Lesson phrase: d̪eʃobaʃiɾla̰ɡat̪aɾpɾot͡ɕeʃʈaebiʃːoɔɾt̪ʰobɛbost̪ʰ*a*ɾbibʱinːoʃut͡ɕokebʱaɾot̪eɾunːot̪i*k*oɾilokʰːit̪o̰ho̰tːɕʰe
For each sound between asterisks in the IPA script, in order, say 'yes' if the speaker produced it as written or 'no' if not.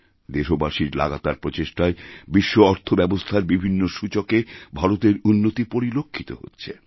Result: yes, no

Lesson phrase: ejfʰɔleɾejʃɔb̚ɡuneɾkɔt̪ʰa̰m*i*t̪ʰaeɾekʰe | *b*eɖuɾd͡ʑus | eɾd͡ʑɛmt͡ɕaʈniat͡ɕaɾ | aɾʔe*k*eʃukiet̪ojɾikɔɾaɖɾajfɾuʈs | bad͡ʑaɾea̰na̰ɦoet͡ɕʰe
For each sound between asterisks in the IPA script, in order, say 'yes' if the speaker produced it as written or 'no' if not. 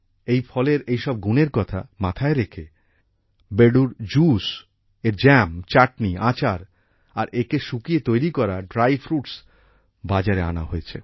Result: no, yes, yes

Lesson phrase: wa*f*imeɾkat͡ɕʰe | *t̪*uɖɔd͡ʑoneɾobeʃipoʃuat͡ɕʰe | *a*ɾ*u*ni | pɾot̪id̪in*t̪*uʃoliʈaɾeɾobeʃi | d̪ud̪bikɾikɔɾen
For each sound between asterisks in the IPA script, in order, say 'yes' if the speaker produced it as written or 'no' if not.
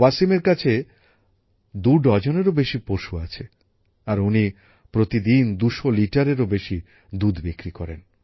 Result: no, no, yes, yes, no

